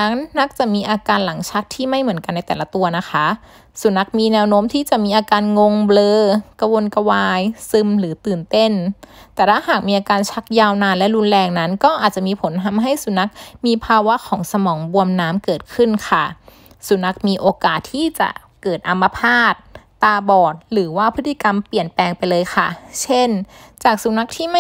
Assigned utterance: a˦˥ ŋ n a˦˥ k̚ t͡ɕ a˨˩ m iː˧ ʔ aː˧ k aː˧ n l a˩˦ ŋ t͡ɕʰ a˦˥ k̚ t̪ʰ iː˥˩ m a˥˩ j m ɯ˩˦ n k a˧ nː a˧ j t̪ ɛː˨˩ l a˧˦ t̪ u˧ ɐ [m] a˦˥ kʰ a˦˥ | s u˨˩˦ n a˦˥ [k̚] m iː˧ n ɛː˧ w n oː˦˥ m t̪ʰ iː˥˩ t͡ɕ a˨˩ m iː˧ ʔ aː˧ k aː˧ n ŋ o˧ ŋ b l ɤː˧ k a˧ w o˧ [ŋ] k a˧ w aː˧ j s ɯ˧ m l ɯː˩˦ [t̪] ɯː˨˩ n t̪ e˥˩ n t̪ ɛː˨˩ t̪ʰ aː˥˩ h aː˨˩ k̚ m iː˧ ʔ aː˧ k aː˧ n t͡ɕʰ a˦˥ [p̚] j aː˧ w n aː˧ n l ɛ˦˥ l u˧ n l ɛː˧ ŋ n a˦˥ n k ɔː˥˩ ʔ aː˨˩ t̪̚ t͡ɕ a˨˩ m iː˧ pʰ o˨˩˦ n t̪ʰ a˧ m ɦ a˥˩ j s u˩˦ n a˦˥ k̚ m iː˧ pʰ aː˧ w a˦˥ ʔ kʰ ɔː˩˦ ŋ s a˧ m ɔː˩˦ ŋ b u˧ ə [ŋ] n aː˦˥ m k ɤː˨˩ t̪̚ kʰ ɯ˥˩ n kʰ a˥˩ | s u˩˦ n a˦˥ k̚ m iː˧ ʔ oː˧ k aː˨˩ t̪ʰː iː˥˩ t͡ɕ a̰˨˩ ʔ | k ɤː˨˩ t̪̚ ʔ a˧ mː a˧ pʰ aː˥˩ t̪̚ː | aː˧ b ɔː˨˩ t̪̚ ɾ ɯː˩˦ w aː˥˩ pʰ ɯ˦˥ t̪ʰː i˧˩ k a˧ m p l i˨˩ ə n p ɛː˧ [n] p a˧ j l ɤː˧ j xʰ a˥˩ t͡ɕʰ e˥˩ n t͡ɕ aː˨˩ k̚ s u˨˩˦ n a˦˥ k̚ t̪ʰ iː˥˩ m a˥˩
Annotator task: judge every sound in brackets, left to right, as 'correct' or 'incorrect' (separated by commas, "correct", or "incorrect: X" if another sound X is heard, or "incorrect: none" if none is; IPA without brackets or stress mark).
incorrect: n, correct, incorrect: n, correct, incorrect: k̚, incorrect: m, incorrect: ŋ